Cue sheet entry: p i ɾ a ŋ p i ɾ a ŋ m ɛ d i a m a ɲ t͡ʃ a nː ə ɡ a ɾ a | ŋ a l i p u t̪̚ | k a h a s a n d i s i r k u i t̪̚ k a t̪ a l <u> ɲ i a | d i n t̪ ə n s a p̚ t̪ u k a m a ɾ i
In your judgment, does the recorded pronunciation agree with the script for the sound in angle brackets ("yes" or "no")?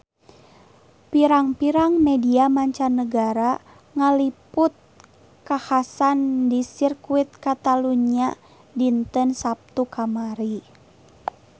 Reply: yes